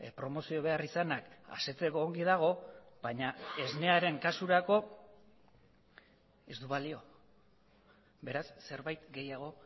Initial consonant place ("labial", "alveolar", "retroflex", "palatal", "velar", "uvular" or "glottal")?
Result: labial